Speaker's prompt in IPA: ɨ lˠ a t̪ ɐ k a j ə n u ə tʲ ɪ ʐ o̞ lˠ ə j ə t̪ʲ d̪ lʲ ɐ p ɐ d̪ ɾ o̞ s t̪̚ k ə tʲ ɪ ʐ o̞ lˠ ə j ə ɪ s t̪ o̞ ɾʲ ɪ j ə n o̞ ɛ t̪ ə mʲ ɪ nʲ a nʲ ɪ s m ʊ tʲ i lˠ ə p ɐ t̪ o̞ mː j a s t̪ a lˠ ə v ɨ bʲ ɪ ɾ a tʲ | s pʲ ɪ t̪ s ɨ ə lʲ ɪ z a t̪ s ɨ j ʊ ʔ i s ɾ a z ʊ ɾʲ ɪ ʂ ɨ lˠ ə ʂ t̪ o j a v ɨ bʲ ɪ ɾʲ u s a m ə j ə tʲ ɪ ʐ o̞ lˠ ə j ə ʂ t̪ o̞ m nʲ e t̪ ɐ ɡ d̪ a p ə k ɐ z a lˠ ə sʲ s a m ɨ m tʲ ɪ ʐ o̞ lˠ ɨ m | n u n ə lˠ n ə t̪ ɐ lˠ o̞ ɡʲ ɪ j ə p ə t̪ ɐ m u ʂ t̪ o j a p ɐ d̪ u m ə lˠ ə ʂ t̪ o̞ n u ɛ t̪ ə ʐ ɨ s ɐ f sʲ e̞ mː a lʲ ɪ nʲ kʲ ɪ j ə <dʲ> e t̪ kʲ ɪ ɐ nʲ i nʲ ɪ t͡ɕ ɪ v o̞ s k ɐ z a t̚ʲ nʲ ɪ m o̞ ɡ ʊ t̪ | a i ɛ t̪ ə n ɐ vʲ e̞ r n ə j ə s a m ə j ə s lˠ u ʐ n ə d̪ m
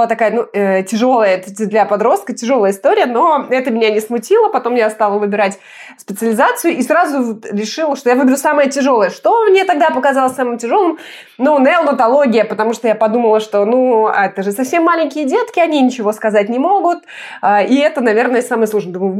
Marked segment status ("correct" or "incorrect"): correct